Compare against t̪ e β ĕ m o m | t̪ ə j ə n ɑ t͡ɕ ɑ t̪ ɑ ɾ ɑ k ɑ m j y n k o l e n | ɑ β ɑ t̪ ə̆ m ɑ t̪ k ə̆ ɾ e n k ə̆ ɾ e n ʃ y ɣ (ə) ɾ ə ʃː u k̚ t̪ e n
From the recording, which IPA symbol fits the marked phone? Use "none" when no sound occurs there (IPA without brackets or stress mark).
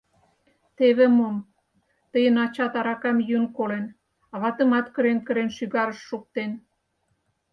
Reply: ɑ